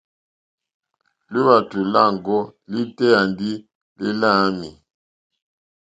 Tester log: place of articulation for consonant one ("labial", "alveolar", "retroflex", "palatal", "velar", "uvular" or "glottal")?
alveolar